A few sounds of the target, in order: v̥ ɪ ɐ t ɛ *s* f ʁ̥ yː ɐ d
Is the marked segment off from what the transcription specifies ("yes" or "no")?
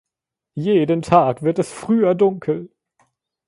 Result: no